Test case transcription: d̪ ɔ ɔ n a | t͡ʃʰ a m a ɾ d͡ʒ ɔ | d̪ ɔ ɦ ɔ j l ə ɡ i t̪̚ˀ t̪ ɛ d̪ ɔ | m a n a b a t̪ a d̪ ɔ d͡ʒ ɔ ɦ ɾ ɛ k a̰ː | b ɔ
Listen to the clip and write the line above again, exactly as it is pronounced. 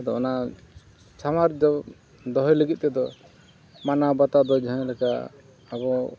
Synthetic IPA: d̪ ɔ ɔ n a | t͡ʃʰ a m a ɾ d͡ʒ ɔ | d̪ ɔ ɦ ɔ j l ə ɡ i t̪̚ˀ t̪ ɛ d̪ ɔ | m a n a b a t̪ a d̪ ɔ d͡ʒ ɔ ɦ l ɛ k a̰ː | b ɔ